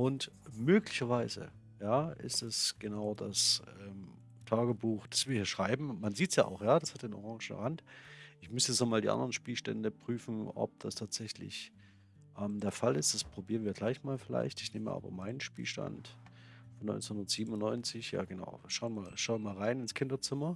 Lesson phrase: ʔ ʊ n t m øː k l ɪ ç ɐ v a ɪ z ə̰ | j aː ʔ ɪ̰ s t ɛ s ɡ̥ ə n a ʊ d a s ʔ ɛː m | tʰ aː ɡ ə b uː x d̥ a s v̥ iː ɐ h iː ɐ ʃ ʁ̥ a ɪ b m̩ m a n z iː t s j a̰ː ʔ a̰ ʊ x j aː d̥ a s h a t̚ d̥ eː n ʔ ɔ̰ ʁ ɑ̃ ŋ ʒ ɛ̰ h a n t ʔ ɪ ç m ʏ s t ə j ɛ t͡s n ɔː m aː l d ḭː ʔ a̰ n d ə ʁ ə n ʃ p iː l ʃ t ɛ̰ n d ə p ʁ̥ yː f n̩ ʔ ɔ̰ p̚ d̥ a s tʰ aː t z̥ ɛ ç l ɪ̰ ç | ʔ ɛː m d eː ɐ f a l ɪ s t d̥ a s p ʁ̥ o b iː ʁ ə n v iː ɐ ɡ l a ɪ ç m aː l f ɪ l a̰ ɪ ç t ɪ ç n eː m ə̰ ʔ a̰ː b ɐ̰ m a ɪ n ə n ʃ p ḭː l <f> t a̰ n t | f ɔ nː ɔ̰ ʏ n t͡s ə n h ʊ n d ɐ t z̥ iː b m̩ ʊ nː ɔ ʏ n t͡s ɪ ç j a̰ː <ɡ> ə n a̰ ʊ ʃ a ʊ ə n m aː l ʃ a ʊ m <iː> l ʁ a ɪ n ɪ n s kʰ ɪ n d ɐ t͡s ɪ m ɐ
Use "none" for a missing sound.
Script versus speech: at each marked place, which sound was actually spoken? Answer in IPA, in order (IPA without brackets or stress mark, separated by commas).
ʃ, ɡ, aː